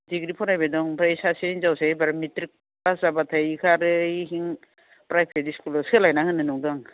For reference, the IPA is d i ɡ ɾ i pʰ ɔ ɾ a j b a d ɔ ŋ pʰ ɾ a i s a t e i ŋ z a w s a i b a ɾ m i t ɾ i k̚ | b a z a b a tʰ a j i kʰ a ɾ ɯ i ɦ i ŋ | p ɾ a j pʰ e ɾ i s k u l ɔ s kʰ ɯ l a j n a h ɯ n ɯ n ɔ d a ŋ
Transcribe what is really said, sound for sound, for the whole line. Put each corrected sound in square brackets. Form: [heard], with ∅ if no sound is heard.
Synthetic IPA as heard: d i ɡ ɾ i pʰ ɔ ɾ a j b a d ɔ ŋ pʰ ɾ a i s a [s] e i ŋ z a w s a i b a ɾ m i t ɾ i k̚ | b a z a b a tʰ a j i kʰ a ɾ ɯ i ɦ i ŋ | p ɾ a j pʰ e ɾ i s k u l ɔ s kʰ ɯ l a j n a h ɯ n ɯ n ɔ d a ŋ

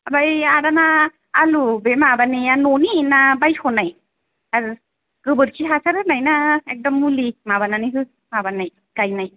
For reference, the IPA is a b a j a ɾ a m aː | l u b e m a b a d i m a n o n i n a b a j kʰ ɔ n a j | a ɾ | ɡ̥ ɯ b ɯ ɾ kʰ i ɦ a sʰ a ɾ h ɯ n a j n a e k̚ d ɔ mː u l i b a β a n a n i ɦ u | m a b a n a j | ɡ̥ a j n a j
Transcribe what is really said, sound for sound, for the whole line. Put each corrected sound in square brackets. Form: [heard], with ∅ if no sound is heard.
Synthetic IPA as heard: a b a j a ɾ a [n] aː | l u b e m a b a [n] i [∅] a n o n i n a b a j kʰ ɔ n a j | a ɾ | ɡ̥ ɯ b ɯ ɾ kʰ i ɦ a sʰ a ɾ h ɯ n a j n a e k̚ d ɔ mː u l i [m] a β a n a n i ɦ [ɯ] | m a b a n a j | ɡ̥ a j n a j

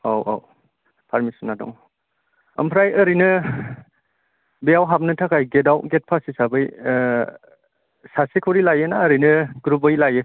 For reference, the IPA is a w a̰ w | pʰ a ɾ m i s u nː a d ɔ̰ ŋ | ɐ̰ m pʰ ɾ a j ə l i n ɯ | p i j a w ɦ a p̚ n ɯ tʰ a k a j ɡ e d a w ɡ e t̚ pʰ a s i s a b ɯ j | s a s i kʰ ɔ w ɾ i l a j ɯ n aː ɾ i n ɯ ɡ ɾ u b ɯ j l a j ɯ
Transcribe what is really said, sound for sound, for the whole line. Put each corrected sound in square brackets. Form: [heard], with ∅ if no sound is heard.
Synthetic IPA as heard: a w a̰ w | pʰ a ɾ m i s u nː a d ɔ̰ ŋ | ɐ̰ m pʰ ɾ a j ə [ɾ] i n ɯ | [b] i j a w ɦ a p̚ n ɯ tʰ a k a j ɡ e d a w ɡ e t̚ pʰ a s i s a b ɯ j | s a s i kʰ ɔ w ɾ i l a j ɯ n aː ɾ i n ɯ ɡ ɾ u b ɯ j l a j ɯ

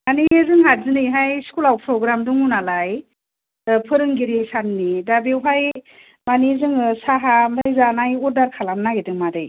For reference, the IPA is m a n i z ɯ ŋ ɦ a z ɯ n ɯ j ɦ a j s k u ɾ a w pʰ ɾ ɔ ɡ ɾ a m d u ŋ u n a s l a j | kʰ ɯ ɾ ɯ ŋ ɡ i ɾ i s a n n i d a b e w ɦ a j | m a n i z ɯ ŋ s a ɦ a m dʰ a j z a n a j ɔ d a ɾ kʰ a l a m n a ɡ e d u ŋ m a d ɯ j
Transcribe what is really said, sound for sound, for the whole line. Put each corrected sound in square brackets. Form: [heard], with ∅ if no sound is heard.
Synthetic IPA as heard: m a n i z ɯ ŋ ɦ a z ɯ n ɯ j ɦ a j s k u [l] a w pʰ ɾ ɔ ɡ ɾ a m d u ŋ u n a [∅] l a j | [pʰ] ɯ ɾ ɯ ŋ ɡ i ɾ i s a n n i d a b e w ɦ a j | m a n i z ɯ ŋ s a ɦ a m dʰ a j z a n a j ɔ d a ɾ kʰ a l a m n a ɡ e d [ɯ] ŋ m a d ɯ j

